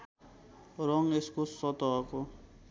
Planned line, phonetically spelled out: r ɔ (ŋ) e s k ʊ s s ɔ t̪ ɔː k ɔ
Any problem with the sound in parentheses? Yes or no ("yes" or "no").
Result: no